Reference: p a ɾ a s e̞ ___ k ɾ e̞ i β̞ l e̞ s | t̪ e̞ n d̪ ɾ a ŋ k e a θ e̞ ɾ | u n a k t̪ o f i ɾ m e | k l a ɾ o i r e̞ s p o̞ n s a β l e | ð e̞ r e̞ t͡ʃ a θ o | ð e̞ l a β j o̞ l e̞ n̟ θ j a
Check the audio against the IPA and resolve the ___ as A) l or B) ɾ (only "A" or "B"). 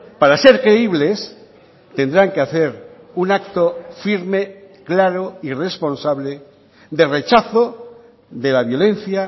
B